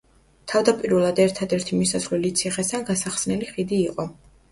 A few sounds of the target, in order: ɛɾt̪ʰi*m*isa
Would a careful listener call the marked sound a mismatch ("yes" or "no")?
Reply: no